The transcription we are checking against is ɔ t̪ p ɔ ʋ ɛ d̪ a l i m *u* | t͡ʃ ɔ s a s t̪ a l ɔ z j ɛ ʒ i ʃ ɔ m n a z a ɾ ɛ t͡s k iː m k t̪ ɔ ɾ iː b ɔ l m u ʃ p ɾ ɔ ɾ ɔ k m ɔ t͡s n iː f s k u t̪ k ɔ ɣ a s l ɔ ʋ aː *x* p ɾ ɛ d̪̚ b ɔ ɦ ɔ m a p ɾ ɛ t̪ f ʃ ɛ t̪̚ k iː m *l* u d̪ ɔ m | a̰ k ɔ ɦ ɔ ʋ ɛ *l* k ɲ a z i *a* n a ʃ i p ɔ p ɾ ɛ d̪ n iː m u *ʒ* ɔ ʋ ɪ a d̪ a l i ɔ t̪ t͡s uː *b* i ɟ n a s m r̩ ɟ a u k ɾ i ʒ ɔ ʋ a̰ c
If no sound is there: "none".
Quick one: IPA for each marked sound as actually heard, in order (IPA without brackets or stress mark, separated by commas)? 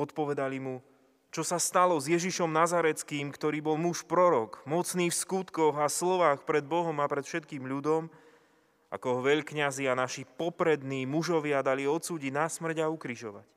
u, x, ʎ, ʎ, a, ʒ, ɟ